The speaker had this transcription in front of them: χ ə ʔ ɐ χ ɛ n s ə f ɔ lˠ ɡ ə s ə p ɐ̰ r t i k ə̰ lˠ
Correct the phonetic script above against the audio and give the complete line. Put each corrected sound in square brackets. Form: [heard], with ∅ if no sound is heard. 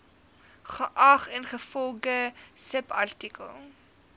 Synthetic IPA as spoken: χ ə ʔ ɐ χ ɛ n [χ] ə f ɔ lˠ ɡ ə s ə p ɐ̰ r t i k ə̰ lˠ